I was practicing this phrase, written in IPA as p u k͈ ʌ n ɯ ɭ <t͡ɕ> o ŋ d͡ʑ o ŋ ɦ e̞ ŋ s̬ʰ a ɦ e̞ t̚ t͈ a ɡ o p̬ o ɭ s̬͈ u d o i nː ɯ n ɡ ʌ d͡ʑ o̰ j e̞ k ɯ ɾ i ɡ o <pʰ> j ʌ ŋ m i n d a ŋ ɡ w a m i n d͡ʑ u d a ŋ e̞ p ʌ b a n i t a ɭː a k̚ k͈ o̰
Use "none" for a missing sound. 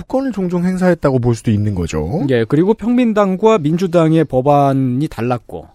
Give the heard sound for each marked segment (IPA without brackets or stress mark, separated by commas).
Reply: t͡ɕ, pʰ